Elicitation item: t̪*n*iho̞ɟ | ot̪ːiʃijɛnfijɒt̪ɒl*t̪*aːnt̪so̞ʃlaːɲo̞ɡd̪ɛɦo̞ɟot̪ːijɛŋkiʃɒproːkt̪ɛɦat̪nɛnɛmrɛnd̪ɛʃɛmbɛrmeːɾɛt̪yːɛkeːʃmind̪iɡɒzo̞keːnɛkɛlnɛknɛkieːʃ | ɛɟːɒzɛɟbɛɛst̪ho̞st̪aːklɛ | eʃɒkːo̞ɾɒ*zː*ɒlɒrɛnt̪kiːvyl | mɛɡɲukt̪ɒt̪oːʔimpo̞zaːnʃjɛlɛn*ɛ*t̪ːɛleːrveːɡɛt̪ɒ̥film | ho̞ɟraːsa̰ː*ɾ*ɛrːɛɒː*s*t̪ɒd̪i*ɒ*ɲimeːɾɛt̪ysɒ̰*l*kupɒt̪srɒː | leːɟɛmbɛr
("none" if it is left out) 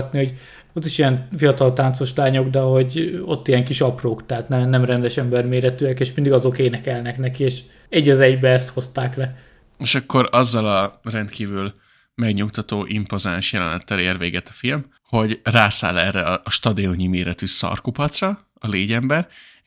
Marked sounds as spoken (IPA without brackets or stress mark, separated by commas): n, t̪, zː, ɛ, l, ʃ, o, r